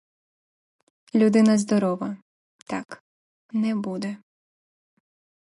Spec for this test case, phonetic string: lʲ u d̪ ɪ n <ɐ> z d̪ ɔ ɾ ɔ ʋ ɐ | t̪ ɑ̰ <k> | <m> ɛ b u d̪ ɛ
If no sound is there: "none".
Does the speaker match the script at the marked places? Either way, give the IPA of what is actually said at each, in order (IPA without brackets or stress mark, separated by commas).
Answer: ɐ, k, n